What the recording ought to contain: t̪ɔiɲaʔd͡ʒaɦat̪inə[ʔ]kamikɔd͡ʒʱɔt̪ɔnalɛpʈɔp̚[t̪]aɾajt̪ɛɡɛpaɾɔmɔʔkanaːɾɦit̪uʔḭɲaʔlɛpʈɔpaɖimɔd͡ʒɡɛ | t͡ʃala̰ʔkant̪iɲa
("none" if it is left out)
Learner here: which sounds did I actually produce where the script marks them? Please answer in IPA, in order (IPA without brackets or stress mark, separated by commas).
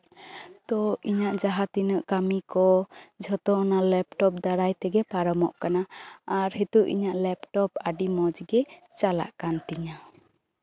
ʔ, d̪